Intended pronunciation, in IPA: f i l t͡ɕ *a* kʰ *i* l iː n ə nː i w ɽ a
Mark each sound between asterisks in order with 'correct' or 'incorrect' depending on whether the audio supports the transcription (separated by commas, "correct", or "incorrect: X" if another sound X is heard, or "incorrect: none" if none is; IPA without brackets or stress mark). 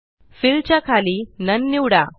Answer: correct, incorrect: a